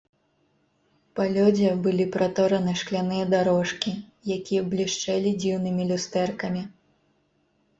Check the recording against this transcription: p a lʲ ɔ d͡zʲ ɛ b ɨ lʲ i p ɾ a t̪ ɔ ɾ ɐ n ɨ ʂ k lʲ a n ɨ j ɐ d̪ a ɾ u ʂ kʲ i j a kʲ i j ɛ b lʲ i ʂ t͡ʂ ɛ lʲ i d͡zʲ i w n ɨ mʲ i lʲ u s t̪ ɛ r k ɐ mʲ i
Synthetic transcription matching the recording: p a lʲ ɔ d͡zʲ ɛ b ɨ lʲ i p ɾ a t̪ ɔ ɾ ɐ n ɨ ʂ k lʲ a n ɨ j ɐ d̪ a ɾ ɔ ʂ kʲ i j a kʲ i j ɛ b lʲ i ʂ t͡ʂ ɛ lʲ i d͡zʲ i w n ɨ mʲ i lʲ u s t̪ ɛ r k ɐ mʲ i